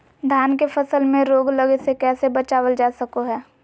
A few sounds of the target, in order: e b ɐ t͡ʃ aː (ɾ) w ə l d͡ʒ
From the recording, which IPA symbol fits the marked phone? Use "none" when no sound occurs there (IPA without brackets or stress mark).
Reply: none